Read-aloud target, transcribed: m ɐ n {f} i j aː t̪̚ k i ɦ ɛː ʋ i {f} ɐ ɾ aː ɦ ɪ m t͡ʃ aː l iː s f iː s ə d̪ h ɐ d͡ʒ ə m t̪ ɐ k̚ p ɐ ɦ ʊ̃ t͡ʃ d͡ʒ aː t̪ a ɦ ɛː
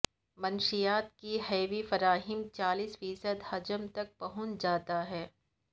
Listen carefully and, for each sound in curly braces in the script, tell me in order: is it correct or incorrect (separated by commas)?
incorrect, correct